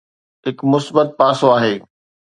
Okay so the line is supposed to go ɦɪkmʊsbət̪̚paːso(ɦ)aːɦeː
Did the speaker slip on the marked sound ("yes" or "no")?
yes